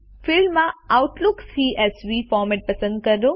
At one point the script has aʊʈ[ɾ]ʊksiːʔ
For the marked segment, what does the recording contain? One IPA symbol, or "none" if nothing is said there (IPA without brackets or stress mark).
l